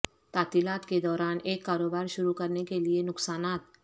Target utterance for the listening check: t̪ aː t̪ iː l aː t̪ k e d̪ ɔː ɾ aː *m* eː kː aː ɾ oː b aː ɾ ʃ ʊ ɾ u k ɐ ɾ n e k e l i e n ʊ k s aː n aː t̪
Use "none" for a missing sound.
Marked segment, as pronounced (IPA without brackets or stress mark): n